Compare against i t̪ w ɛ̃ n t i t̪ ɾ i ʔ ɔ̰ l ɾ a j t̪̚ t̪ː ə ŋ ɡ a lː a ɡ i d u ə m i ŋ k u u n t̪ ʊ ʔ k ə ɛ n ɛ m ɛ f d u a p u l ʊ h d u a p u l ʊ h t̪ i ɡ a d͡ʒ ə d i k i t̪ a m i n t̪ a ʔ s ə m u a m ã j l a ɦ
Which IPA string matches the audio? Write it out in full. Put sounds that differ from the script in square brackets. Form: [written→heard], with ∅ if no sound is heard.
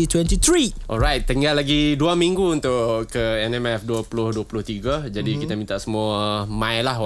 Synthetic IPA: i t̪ w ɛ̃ n t i t̪ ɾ i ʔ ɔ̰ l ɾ a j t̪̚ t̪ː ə ŋ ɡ a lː a ɡ i d u [ə→a] m i ŋ [k→ɡ] u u n t̪ ʊ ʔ k ə ɛ n ɛ m ɛ f d u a p u l ʊ h d u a p u l ʊ h t̪ i ɡ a d͡ʒ [ə→a] d i k i t̪ a m i n t̪ a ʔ s ə m u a m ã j l a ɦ